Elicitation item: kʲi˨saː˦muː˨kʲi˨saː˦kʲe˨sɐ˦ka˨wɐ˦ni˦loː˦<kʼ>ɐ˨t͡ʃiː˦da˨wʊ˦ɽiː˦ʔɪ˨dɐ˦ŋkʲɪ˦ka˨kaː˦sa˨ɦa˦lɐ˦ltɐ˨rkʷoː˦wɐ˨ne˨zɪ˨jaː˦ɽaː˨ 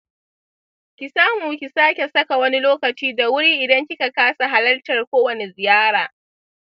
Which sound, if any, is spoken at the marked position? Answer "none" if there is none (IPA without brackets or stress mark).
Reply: k